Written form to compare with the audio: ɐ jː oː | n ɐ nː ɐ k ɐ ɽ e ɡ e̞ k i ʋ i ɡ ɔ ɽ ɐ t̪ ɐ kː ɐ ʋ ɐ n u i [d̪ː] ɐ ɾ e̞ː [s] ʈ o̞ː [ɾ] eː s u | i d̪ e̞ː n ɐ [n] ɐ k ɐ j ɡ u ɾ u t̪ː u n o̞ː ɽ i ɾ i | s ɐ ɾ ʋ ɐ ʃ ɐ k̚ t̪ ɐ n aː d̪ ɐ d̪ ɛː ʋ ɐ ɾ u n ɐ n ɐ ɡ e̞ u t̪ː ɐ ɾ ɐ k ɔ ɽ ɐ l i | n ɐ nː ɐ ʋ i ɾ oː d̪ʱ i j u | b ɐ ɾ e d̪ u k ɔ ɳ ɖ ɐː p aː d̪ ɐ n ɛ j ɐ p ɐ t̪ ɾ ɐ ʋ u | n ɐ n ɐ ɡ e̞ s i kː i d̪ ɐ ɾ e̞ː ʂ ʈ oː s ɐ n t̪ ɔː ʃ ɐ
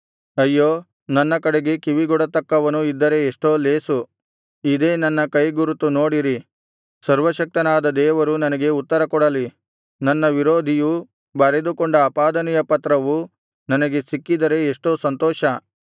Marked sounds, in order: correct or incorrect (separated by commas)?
correct, incorrect, incorrect, incorrect